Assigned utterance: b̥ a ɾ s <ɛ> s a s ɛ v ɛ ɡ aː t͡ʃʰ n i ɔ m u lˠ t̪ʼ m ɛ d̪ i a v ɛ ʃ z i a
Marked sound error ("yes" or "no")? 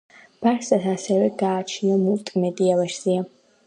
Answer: yes